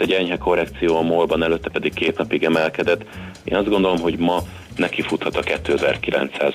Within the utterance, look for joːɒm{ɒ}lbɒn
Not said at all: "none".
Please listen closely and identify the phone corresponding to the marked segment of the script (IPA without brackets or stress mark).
o